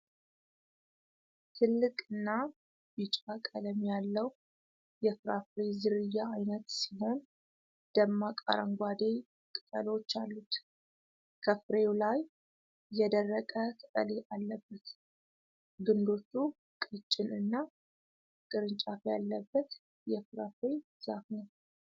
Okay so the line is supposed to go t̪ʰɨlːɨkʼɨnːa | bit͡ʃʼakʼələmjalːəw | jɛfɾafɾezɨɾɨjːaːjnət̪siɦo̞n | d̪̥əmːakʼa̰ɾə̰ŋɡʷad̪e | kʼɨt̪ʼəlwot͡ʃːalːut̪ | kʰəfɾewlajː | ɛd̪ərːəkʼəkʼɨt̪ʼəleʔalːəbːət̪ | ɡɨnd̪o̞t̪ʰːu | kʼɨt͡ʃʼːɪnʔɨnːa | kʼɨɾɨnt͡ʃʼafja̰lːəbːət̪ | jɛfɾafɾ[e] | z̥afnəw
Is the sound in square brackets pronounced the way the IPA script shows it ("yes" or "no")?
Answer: yes